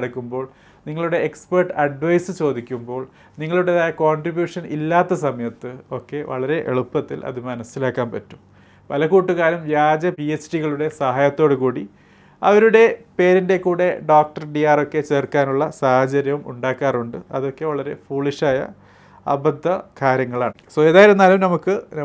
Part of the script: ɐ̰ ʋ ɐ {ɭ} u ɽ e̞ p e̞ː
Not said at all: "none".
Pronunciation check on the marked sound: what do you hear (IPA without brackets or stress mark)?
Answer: ɾ